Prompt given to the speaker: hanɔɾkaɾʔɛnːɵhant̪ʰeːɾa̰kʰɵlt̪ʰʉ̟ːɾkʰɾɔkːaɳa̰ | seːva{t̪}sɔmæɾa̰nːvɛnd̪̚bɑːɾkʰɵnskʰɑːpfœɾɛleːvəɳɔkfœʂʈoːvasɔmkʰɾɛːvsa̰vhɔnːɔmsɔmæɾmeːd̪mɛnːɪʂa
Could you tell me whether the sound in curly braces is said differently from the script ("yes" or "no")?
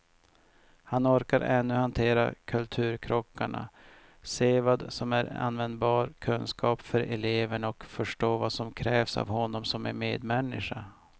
yes